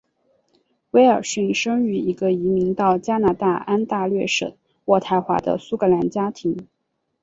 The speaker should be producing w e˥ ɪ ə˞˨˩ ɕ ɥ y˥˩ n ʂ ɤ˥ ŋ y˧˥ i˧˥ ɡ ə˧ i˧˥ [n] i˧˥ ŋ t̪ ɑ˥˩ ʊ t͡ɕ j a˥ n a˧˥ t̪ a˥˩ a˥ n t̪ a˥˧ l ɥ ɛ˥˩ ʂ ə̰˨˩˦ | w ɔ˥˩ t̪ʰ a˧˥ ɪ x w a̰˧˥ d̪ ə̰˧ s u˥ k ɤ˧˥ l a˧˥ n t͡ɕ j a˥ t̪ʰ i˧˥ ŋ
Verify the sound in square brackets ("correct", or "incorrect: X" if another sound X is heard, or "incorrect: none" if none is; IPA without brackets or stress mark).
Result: incorrect: m